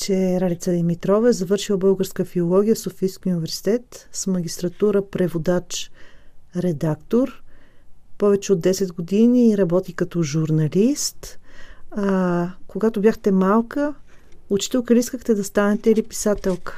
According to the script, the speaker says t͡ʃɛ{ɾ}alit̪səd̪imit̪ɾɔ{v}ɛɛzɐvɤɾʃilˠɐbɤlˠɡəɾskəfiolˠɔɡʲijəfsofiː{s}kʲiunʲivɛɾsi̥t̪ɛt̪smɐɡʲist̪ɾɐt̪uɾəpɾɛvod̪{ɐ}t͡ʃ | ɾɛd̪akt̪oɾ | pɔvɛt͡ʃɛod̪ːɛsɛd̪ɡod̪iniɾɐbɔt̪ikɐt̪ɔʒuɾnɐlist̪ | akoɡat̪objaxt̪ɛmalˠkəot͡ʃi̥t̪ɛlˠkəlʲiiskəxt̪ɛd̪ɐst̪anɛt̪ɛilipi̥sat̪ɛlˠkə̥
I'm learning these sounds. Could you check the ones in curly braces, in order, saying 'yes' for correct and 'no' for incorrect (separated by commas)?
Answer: yes, yes, yes, no